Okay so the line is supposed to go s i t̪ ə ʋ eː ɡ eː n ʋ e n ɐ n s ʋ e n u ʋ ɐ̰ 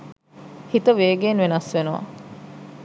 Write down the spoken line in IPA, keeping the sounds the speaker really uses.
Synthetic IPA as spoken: h i t̪ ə ʋ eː ɡ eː n ʋ e n ɐ s ʋ e n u ʋ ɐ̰